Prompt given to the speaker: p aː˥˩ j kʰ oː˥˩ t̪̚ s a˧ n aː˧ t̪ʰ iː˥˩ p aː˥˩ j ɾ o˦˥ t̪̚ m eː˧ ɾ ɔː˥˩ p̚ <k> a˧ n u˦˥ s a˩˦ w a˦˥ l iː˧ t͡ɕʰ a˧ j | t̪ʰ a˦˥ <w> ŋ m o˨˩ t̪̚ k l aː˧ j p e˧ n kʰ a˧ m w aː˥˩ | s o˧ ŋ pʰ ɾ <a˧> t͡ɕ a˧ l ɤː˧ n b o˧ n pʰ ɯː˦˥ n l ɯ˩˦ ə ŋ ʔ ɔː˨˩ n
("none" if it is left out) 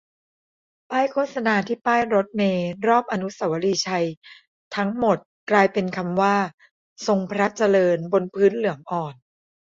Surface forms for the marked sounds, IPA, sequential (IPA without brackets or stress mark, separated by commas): ʔ, none, a˦˥